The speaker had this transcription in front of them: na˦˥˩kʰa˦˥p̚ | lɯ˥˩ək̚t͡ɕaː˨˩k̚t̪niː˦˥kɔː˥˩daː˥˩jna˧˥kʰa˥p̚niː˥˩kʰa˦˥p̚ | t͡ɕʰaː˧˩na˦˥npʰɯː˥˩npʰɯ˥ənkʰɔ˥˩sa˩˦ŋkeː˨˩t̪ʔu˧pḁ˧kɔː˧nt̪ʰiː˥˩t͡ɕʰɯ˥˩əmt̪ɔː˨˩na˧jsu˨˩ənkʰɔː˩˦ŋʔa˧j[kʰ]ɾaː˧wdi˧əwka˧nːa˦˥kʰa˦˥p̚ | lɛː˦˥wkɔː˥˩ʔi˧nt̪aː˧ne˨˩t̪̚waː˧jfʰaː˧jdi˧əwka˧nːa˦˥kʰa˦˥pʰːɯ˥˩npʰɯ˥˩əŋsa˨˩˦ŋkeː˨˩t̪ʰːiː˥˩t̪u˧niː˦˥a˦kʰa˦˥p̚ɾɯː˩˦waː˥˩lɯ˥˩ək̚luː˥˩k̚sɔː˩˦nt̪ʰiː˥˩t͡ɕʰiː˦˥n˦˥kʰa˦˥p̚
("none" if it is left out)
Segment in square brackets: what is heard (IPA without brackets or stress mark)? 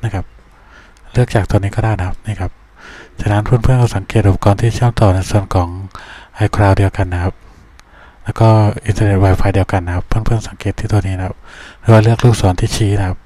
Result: kʰ